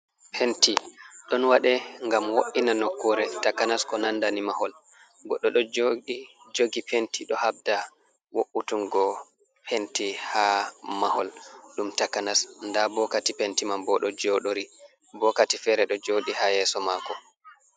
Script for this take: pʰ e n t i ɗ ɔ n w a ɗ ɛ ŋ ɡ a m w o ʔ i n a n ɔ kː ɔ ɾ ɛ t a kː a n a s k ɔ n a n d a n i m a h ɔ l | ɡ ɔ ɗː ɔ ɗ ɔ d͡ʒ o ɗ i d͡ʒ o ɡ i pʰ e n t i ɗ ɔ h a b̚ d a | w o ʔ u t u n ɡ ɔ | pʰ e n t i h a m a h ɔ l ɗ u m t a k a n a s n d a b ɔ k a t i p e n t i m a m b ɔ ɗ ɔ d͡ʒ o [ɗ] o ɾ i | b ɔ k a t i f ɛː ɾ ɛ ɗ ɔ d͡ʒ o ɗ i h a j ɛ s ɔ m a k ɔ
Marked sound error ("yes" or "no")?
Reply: no